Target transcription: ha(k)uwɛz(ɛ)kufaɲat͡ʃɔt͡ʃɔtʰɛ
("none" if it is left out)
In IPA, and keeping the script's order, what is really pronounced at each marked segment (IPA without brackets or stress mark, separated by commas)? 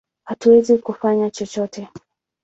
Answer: t, i